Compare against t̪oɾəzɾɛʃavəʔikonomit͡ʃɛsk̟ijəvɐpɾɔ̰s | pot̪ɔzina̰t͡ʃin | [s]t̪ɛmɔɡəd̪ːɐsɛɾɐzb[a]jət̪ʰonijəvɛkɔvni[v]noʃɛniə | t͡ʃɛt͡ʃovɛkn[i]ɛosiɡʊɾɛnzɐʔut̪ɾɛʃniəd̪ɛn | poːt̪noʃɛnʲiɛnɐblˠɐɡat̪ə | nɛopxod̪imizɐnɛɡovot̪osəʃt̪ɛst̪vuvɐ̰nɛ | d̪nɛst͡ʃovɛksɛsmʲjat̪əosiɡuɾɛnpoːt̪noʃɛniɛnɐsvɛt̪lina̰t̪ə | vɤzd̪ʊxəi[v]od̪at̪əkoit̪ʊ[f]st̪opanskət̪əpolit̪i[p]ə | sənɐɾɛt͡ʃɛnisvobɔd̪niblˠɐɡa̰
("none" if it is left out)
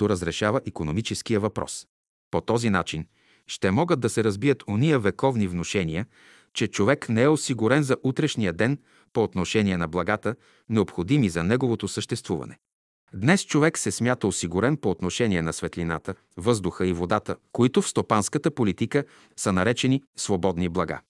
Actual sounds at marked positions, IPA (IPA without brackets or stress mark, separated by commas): ʃ, i, v, ɛ, v, f, k